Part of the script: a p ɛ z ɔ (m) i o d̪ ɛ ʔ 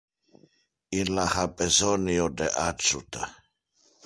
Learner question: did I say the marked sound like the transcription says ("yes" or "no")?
no